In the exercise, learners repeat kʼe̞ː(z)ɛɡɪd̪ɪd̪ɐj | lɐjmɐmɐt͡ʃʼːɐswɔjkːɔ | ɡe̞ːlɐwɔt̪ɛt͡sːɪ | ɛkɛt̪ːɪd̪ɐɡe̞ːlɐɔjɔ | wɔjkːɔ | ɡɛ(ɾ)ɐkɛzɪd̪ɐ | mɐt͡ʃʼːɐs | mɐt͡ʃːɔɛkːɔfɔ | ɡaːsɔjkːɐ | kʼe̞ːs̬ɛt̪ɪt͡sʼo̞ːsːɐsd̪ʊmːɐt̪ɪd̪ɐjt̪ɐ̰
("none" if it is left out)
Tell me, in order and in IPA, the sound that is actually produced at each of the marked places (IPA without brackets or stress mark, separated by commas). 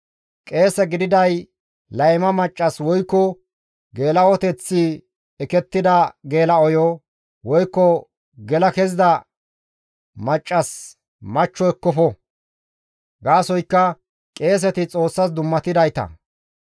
s, l